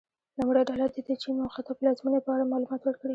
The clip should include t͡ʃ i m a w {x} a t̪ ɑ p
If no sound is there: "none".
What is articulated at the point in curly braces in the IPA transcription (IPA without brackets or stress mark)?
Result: x